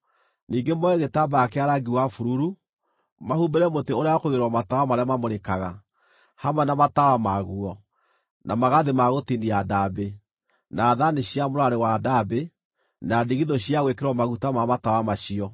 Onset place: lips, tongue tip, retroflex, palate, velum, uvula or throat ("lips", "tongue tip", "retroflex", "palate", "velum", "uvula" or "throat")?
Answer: tongue tip